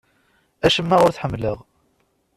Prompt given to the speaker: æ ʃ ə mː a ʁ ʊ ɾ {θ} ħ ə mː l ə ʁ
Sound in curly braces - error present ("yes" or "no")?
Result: no